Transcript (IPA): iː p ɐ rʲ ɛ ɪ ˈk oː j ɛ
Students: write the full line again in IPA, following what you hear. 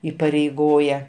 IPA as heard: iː p ɐ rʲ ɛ ɪ ˈɡ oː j ɛ